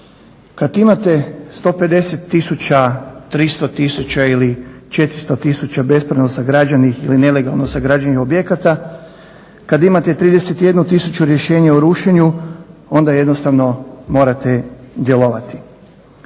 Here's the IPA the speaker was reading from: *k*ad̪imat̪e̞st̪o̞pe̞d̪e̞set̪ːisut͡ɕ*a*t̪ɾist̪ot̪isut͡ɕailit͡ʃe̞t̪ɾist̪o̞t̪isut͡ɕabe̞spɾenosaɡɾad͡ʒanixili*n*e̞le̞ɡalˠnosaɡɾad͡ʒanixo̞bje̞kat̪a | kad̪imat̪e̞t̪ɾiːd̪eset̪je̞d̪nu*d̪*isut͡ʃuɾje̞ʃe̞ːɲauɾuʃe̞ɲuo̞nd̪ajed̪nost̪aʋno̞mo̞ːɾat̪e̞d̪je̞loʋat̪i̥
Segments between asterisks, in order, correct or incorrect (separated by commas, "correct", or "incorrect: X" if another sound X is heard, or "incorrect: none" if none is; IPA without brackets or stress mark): correct, correct, correct, incorrect: t̪